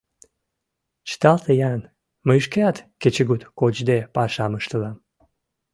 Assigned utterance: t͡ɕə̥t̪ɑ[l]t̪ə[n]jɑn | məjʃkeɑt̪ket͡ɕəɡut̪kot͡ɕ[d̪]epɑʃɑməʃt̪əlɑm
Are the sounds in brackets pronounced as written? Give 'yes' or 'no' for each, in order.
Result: yes, no, yes

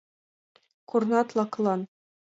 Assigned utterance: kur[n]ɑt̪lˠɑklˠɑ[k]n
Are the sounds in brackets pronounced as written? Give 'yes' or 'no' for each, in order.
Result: yes, no

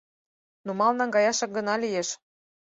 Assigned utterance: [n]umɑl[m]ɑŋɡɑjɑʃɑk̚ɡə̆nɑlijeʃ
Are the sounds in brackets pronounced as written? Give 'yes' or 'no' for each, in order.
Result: yes, no

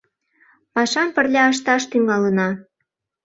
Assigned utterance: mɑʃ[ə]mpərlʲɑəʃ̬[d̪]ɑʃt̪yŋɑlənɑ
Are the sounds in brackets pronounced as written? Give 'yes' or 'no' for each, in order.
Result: no, no

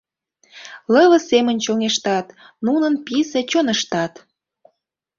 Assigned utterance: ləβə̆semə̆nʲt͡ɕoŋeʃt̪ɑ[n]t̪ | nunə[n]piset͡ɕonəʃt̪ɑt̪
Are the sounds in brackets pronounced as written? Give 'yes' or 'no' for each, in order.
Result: no, yes

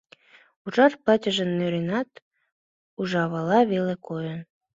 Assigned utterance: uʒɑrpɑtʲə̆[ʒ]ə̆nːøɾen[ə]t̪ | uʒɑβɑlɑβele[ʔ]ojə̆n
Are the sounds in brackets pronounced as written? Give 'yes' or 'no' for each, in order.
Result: yes, no, no

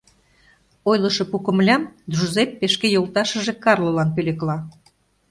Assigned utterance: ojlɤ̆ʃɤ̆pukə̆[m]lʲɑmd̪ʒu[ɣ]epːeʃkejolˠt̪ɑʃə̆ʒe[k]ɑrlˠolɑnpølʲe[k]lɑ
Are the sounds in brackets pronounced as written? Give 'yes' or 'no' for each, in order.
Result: yes, no, yes, yes

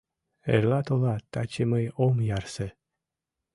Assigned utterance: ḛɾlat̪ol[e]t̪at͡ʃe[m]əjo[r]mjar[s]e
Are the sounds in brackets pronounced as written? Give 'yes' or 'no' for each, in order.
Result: no, yes, no, yes

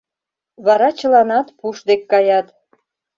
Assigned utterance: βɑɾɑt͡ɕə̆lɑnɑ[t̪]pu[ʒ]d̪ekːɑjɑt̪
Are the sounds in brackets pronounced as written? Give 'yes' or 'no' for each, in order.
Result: yes, no

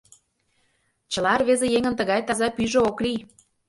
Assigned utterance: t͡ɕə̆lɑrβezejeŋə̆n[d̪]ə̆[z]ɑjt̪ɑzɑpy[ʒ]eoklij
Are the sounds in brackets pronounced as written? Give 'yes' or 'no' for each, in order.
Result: no, no, yes

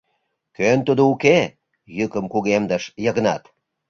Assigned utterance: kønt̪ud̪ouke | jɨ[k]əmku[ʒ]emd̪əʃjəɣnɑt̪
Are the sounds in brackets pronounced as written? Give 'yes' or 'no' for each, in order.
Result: yes, no

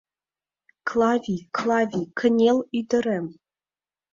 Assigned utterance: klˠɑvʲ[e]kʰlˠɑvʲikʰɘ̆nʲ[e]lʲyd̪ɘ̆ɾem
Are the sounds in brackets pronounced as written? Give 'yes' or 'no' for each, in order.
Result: no, yes

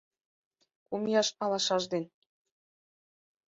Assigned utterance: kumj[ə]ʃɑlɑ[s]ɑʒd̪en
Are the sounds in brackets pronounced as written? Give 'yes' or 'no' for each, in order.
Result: no, no

